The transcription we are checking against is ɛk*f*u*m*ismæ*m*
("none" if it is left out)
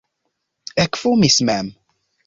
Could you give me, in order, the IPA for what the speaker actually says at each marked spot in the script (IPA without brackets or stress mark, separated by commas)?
f, m, m